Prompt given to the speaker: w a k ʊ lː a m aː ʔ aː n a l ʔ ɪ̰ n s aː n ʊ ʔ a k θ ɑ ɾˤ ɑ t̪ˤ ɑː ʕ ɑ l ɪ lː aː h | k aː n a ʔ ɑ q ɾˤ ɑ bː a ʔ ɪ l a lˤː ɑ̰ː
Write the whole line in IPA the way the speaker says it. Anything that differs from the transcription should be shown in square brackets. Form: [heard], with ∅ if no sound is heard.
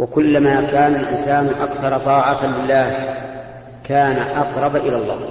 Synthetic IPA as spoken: w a k ʊ lː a m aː [k] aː n a l ʔ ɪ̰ n s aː n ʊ ʔ a k θ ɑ ɾˤ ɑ t̪ˤ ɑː ʕ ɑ l ɪ lː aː h | k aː n a ʔ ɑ q ɾˤ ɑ [b] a ʔ ɪ l a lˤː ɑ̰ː